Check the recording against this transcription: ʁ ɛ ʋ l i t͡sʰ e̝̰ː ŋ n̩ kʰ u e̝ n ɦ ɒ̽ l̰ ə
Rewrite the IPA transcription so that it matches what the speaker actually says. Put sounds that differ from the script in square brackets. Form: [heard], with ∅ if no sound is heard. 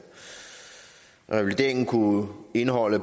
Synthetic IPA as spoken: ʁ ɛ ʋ l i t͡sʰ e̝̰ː ŋ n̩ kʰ u e̝ n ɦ ɒ̽ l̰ ə